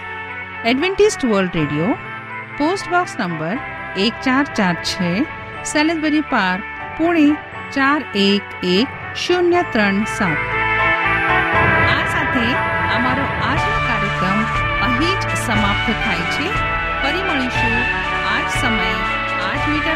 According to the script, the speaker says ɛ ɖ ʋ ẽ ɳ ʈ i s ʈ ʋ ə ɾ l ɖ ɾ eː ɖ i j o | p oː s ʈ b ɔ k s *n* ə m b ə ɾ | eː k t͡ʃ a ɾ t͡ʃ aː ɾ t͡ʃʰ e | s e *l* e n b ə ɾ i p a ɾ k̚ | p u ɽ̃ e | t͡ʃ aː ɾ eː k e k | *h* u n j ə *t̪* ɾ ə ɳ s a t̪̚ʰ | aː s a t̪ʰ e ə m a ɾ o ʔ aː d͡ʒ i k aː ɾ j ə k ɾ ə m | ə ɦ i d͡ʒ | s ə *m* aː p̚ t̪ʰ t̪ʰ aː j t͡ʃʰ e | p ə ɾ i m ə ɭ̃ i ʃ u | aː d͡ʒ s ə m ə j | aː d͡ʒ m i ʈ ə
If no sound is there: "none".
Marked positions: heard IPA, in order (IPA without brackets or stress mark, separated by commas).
n, l, ʃ, t̪, m